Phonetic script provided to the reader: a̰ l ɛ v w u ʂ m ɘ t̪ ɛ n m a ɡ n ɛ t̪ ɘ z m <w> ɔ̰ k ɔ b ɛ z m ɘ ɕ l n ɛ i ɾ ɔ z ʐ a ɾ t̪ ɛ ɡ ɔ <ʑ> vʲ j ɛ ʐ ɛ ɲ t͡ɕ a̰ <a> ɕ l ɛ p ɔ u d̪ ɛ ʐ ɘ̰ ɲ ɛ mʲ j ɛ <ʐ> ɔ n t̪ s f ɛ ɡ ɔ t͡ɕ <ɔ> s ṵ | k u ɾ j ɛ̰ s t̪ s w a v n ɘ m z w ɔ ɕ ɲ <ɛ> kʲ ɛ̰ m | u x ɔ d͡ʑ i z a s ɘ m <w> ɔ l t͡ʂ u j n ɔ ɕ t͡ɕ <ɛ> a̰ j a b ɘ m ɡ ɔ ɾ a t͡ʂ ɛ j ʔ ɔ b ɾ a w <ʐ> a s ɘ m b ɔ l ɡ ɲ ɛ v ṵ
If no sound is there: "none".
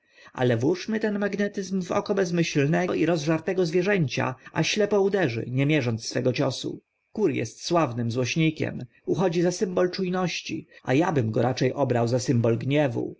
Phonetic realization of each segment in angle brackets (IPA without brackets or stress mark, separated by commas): v, z, a, ʐ, ɔ, i, b, i, z